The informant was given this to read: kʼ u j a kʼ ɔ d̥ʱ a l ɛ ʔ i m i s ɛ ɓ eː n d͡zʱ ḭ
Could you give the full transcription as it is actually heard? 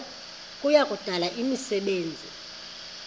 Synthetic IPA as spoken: kʼ u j a kʼ u d̥ʱ a l a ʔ i m i s ɛ ɓ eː n d͡zʱ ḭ